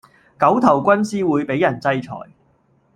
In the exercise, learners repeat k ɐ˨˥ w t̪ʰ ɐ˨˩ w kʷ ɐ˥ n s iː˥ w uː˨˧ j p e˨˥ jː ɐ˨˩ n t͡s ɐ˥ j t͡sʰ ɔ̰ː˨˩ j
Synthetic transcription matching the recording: k ɐ˨˥ w t̪ʰ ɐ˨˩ w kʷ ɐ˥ n s iː˥ w uː˨˧ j p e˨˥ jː ɐ˨˩ n t͡s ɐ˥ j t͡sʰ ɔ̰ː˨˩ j